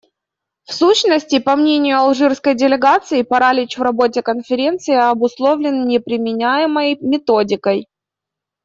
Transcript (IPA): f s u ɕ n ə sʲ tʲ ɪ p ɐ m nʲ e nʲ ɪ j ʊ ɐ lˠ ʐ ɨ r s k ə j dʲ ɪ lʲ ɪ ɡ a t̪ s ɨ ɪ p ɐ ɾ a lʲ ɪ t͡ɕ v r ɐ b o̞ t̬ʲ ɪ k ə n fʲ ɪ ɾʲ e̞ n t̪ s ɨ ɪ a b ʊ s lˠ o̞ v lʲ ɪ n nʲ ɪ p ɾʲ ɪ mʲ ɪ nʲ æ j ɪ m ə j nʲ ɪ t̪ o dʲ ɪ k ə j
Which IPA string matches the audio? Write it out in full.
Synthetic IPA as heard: f s u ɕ n ə sʲ tʲ ɪ p ɐ m nʲ e nʲ ɪ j ʊ ɐ lˠ ʐ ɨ r s k ə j dʲ ɪ lʲ ɪ ɡ a t̪ s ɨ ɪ p ɐ ɾ a lʲ ɪ t͡ɕ v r ɐ b o̞ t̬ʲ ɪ k ə n fʲ ɪ ɾʲ e̞ n t̪ s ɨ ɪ ɐ b ʊ s lˠ o̞ v lʲ ɪ n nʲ ɪ p ɾʲ ɪ mʲ ɪ nʲ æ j ɪ m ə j mʲ ɪ t̪ o dʲ ɪ k ə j